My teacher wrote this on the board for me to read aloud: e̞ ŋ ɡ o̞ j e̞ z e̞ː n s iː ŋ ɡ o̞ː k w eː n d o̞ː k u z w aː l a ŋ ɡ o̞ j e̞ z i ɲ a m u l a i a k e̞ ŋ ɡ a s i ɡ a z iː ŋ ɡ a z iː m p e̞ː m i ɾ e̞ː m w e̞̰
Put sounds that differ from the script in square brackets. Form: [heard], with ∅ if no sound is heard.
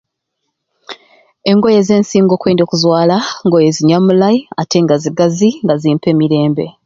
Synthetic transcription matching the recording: e̞ ŋ ɡ o̞ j e̞ z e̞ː n s iː ŋ ɡ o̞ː k w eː n d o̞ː k u z w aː l a ŋ ɡ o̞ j e̞ z i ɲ a m u l a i a [t] e̞ ŋ ɡ a [z] i ɡ a z [i] ŋ ɡ a z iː m p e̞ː m i ɾ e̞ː m [b] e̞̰

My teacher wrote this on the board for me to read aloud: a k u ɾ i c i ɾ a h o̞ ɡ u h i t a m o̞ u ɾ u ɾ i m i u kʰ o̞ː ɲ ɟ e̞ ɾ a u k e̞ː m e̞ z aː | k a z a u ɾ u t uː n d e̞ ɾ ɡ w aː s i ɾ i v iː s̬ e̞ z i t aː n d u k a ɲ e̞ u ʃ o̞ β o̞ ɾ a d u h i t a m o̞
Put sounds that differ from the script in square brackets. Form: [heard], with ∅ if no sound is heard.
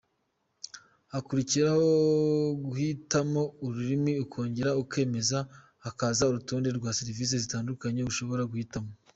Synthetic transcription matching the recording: a k u ɾ i c i ɾ a h o̞ ɡ u h i t a m o̞ u ɾ u ɾ i m i u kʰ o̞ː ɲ ɟ e̞ ɾ a u k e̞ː m e̞ z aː | k a z a u ɾ u t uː n d e̞ ɾ ɡ w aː s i ɾ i v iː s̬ e̞ z i t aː n d u k a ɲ e̞ u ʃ o̞ β o̞ ɾ a [ɡ] u h i t a m o̞

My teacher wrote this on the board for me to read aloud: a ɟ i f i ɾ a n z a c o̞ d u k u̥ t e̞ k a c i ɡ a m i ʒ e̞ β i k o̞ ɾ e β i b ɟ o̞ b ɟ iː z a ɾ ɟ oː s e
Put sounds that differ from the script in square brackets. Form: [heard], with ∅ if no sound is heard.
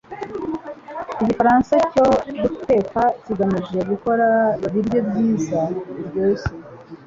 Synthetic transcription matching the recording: [i] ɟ i f [a] ɾ a n [s] a c o̞ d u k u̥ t e̞ k a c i ɡ a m i ʒ e̞ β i k o̞ ɾ [a] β i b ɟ o̞ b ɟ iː z a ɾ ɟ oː s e

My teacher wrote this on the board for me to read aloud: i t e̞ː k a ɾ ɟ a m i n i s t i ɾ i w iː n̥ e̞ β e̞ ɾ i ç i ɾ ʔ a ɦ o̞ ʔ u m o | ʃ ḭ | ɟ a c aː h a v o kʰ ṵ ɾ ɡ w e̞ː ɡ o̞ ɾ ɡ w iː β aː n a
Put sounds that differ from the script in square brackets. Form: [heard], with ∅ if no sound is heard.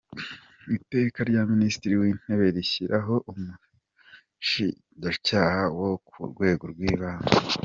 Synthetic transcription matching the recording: i t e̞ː k a ɾ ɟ a m i n i s t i ɾ i w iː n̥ e̞ β e̞ ɾ i ç i ɾ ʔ a ɦ o̞ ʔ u m [u] | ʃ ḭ | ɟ a c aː h a [w] o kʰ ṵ ɾ ɡ w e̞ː ɡ o̞ ɾ ɡ w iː β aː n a

